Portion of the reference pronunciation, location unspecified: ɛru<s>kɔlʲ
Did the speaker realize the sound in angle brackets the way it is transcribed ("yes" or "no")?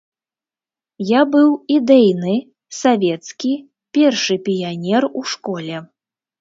no